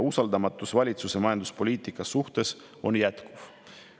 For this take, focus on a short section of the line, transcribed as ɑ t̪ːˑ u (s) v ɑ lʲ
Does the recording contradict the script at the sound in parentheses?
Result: no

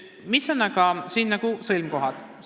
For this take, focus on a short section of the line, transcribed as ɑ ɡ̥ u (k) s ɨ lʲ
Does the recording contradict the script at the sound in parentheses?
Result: yes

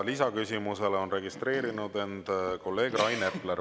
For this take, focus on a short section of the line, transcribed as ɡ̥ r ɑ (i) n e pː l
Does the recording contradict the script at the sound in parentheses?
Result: yes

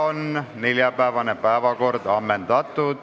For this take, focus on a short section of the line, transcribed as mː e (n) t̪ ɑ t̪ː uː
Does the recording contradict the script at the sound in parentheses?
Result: no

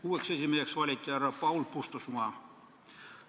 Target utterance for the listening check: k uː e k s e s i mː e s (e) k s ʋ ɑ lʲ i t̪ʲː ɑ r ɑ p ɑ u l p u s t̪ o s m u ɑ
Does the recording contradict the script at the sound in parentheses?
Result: no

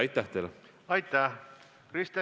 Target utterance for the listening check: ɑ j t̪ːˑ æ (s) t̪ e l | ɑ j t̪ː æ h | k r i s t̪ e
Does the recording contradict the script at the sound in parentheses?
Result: yes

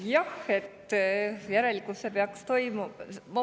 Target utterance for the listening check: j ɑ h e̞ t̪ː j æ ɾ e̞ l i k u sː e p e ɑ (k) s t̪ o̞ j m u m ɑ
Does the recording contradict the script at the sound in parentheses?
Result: no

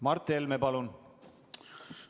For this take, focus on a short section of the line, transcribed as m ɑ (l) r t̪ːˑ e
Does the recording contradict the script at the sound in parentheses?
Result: yes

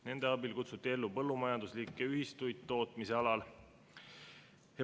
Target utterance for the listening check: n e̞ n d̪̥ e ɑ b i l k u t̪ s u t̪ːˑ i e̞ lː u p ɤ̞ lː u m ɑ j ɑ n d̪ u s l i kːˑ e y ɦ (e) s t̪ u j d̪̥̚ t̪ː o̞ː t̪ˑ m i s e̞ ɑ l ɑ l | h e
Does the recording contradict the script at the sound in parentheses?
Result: yes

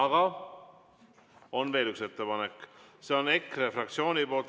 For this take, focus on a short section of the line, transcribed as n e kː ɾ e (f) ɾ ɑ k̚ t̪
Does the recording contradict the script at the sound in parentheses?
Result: no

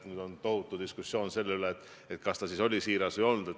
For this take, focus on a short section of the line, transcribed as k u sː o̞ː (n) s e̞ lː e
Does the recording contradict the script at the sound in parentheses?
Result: no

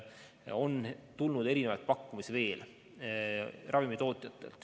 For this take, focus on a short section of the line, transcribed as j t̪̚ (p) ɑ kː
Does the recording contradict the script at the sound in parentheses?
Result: no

